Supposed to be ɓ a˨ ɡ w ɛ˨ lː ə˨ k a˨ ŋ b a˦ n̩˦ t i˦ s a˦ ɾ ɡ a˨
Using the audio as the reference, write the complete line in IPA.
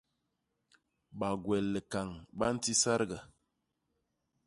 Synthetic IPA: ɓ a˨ ɡ w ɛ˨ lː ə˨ k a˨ ŋ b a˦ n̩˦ t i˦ s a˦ ɾ ɡ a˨